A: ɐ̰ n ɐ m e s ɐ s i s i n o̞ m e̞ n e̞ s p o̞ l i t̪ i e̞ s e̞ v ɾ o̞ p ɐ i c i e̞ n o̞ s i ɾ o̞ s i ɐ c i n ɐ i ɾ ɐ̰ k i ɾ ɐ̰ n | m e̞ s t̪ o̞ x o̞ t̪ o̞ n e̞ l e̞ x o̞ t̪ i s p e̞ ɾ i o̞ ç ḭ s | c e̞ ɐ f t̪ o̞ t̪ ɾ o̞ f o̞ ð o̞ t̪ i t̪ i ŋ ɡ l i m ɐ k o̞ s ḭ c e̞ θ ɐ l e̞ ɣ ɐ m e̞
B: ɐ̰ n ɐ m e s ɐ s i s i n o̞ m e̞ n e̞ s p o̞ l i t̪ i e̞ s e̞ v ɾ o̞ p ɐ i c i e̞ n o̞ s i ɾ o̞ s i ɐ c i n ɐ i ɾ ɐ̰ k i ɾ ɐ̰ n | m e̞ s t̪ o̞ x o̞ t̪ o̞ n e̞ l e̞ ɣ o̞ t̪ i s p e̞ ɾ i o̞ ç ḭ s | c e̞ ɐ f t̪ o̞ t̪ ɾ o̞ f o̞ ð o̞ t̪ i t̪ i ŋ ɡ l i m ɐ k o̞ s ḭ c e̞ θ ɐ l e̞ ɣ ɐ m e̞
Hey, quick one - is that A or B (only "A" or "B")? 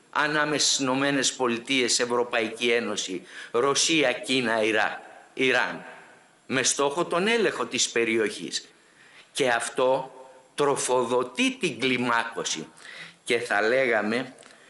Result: A